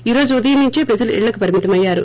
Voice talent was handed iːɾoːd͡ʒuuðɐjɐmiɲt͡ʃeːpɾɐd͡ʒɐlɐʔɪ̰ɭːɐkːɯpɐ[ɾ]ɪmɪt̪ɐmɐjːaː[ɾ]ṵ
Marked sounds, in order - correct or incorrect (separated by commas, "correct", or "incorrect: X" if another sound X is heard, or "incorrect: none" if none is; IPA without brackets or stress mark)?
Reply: correct, correct